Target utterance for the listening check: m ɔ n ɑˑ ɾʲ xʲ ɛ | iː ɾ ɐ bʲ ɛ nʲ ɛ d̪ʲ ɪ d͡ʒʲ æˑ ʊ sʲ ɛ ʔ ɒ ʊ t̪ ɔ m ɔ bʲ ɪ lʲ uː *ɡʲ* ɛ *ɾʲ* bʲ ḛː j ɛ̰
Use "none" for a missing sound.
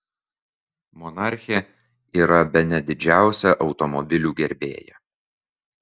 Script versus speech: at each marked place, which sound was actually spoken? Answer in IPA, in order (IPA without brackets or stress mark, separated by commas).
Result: ɡʲ, ɾʲ